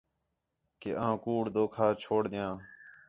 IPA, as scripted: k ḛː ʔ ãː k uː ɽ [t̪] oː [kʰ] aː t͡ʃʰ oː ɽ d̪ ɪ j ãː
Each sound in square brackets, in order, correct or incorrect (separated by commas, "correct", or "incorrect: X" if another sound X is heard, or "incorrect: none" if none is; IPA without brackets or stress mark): incorrect: d̪, correct